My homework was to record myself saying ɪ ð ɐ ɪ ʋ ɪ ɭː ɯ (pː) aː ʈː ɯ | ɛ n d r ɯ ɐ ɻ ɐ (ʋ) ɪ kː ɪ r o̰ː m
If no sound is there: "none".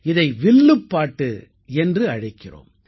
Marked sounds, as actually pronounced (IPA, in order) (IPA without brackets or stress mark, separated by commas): pː, none